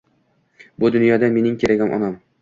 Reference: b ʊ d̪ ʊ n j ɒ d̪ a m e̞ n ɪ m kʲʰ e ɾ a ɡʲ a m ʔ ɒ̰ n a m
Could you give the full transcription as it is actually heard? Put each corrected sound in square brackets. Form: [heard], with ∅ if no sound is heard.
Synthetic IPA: b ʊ d̪ ʊ n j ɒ d̪ a m e̞ n ɪ [ŋ] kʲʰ e ɾ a ɡʲ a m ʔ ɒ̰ n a m